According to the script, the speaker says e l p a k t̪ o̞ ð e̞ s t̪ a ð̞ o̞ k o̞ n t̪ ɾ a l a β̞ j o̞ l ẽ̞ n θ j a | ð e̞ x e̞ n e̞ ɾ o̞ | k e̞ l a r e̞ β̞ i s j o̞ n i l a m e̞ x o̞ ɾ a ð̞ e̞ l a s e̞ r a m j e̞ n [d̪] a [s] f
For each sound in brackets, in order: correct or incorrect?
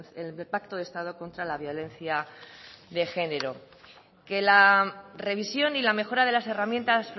incorrect, correct

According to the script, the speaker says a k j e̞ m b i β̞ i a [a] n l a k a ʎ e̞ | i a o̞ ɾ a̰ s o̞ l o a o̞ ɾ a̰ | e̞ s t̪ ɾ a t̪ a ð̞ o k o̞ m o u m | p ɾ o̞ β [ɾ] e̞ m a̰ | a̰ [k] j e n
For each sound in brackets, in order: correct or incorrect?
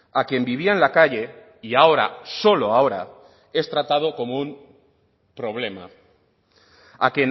incorrect, incorrect, correct

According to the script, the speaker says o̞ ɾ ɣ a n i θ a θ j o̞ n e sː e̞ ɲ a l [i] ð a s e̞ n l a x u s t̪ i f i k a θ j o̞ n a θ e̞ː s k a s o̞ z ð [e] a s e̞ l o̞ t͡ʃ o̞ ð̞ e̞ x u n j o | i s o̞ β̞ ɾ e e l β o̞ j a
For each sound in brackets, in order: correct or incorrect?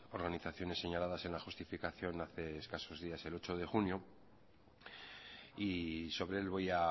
incorrect, incorrect

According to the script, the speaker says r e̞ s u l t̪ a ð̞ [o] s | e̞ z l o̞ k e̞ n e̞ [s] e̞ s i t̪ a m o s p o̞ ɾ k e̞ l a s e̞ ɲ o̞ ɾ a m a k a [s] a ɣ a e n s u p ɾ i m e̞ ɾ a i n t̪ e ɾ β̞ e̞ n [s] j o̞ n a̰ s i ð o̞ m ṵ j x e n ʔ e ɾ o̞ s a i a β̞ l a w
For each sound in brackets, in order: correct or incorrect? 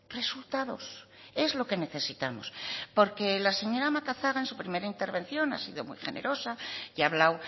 correct, incorrect, incorrect, incorrect

